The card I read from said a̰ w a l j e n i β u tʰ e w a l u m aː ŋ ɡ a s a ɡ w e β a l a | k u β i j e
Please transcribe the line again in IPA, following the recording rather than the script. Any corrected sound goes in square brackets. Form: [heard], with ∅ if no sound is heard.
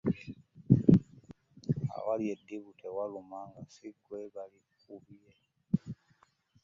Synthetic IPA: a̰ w a l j e [d] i β u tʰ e w a l u m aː ŋ ɡ a s [i] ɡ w e β a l [i] | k u β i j e